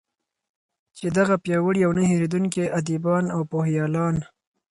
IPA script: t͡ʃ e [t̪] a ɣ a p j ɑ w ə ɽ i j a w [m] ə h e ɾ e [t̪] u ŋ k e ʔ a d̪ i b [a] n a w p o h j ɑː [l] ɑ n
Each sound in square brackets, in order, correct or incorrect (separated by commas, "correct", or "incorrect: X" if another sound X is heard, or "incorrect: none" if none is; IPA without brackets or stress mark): incorrect: d̪, incorrect: n, incorrect: d̪, incorrect: ɑ, correct